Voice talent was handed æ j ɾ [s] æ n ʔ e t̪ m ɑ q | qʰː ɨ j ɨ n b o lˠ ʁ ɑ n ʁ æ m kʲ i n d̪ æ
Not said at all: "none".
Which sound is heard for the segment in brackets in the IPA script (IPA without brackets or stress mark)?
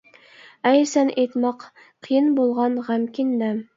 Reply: s